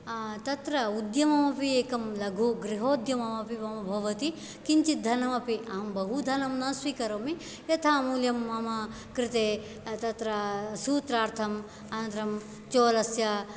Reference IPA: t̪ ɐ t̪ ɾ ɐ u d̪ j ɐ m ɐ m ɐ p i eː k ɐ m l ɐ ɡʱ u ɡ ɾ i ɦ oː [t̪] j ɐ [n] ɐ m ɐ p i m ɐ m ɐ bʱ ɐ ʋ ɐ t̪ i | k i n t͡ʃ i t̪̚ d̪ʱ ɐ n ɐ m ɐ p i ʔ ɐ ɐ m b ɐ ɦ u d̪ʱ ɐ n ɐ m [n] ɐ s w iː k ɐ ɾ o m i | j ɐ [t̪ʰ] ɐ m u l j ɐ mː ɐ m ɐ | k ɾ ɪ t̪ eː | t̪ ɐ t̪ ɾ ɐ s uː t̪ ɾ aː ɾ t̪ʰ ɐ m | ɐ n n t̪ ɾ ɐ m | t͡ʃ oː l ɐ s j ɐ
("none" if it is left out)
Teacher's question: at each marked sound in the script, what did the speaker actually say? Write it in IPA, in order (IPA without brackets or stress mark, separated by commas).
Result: d̪, m, n, t̪ʰ